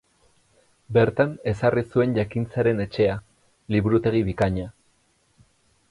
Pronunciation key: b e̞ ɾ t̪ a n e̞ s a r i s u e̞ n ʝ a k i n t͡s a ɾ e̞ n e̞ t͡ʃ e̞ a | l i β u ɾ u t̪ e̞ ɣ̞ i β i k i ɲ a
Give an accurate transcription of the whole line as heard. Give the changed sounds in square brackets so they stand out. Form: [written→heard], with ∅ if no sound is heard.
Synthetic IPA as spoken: b e̞ ɾ t̪ a n e̞ s a r i s u e̞ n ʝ a k i n t͡s a ɾ e̞ n e̞ t͡ʃ e̞ a | l i β u ɾ u t̪ e̞ ɣ̞ i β i k [i→a] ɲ a